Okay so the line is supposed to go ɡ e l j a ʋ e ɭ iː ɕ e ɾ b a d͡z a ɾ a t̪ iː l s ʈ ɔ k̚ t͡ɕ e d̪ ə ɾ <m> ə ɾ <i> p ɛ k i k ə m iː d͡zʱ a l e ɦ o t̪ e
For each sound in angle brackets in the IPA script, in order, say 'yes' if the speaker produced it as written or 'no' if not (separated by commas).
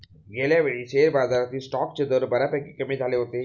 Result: no, no